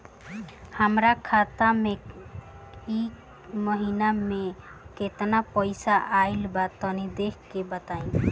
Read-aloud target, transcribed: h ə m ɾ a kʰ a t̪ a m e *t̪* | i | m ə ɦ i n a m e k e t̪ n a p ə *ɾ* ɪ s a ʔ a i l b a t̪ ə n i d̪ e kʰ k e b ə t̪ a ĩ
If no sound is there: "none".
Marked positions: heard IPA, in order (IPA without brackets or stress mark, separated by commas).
none, none